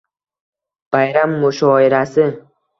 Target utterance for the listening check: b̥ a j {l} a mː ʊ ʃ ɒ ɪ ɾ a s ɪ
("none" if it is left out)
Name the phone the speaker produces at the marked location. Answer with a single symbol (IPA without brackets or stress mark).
ɾ